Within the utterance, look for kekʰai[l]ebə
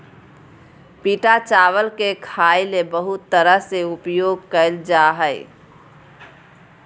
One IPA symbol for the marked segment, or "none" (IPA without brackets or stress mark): l